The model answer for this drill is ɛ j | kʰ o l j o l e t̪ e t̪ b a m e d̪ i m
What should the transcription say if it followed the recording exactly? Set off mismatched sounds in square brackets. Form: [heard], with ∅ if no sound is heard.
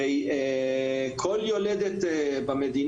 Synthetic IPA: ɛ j | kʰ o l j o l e [d̪] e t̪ b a m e d̪ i [n]